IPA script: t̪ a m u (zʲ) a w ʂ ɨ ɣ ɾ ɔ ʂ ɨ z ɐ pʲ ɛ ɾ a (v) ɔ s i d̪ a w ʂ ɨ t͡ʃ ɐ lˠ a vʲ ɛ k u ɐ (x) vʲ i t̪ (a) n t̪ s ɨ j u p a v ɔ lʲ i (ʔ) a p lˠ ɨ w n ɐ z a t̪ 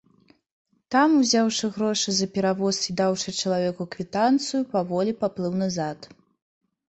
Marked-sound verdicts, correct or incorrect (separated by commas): correct, correct, incorrect, correct, incorrect